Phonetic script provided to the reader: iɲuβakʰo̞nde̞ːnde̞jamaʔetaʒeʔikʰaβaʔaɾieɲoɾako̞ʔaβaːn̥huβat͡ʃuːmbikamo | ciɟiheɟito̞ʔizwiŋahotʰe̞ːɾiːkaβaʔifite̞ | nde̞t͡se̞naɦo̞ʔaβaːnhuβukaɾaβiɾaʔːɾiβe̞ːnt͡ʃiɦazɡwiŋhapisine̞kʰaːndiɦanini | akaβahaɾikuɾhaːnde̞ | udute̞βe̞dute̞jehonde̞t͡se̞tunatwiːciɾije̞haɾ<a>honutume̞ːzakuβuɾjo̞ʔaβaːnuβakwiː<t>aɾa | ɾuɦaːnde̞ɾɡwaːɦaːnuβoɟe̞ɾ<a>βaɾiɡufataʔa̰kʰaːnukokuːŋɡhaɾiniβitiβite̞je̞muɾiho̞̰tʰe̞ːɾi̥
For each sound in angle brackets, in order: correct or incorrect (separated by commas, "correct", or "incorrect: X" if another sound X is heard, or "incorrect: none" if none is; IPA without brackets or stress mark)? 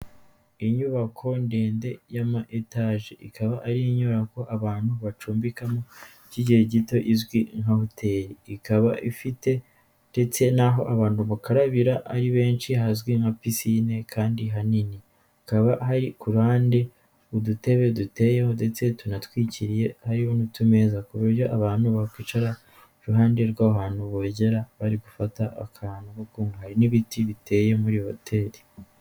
incorrect: i, incorrect: t͡ʃ, correct